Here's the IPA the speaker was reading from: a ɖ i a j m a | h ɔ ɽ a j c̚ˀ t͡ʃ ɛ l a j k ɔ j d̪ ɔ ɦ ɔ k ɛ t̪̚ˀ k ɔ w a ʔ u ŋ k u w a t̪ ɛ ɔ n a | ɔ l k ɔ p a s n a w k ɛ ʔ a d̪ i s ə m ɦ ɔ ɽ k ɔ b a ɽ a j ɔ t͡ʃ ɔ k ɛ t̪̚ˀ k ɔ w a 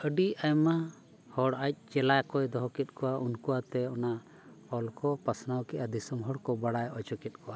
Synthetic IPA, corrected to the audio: ə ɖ i a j m a | h ɔ ɽ a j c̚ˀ t͡ʃ ɛ l a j k ɔ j d̪ ɔ ɦ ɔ k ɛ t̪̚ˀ k ɔ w a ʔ u n k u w a t̪ ɛ ɔ n a | ɔ l k ɔ p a s n a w k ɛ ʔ a d̪ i s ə m ɦ ɔ ɽ k ɔ b a ɽ a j ɔ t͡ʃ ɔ k ɛ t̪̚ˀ k ɔ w a

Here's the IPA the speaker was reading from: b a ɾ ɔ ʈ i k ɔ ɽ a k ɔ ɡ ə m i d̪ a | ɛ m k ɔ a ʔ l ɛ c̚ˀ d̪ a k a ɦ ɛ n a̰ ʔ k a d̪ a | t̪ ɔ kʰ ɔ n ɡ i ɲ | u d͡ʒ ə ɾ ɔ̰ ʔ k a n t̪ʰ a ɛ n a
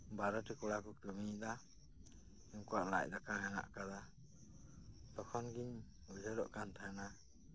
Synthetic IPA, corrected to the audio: b a ɾ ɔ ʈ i k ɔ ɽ a k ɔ k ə m i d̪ a | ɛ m k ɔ a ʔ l a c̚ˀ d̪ a k a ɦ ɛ n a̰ ʔ k a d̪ a | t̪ ɔ kʰ ɔ n ɡ i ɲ | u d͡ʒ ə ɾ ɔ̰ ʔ k a n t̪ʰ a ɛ n a

